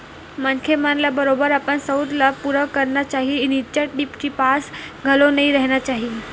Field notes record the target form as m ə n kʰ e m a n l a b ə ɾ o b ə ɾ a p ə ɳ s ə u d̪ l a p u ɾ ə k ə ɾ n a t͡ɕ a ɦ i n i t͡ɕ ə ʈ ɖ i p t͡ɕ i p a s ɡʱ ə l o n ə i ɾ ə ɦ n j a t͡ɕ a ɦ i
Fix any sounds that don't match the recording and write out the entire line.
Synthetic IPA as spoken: m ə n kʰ e m a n l a b ə ɾ o b ə ɾ a p ə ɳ s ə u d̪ l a p u ɾ ə k ə ɾ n a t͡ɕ a ɦ i n i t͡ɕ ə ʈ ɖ i p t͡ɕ i p a s ɡʱ ə l o n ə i ɾ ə ɦ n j a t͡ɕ a ɦ i

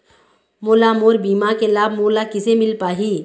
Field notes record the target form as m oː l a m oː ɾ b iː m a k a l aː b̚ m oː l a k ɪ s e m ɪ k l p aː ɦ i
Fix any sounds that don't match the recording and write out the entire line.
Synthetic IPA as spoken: m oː l a m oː ɾ b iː m a k e l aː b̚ m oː l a k ɪ s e m ɪ l p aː ɦ i

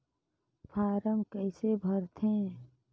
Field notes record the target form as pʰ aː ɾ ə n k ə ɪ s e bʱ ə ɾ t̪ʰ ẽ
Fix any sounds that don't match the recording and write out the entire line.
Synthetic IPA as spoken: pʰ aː ɾ ə m k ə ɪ s e bʱ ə ɾ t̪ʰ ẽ

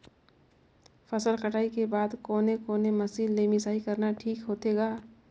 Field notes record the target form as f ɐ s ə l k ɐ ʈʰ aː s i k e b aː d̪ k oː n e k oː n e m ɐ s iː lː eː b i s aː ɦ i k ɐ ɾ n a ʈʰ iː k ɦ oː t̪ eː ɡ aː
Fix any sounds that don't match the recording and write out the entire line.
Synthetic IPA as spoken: f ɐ s ə l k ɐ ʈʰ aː i k e b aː d̪ k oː n e k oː n e m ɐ s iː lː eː m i s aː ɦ i k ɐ ɾ n a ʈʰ iː k ɦ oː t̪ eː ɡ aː

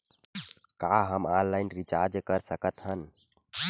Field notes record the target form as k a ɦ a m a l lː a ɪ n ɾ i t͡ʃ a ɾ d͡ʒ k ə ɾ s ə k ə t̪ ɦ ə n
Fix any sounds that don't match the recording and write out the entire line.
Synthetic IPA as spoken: k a ɦ ə m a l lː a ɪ n ɾ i t͡ʃ a ɾ d͡ʒ k ə ɾ s ə k ə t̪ ɦ ə n

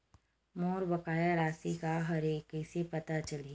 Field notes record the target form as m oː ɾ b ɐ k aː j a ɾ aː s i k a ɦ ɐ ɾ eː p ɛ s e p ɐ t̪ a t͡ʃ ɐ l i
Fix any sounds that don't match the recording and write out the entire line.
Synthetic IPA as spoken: m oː ɾ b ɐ k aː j a ɾ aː s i k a ɦ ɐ ɾ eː k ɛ s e p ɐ t̪ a t͡ʃ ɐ l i

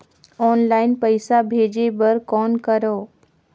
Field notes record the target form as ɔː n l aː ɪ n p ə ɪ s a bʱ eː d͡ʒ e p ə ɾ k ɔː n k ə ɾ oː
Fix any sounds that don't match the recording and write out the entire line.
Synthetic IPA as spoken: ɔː n l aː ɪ n p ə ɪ s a bʱ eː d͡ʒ e b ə ɾ k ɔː n k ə ɾ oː

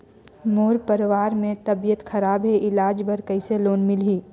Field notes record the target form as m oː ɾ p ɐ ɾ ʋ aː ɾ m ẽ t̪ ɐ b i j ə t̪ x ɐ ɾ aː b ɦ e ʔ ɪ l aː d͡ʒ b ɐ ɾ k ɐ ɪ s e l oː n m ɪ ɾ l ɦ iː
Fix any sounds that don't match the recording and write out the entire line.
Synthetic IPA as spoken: m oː ɾ p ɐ ɾ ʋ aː ɾ m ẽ t̪ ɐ b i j ə t̪ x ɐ ɾ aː b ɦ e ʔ ɪ l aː d͡ʒ b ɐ ɾ k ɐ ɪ s e l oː n m ɪ l ɦ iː

